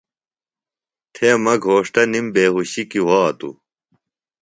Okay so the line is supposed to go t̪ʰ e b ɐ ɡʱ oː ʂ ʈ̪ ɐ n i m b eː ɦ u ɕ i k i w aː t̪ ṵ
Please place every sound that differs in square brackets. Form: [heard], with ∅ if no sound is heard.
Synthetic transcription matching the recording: t̪ʰ e [m] ɐ ɡʱ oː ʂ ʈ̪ ɐ n i m b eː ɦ u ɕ i k i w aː t̪ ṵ